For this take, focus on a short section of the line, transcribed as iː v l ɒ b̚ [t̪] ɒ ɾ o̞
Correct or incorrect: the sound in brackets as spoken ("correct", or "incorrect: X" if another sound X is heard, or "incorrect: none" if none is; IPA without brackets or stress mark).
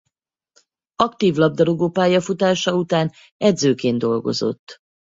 incorrect: d̪